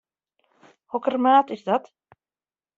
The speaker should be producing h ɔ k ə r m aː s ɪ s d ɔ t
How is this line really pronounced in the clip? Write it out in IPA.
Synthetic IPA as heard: h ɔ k ə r m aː t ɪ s d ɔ t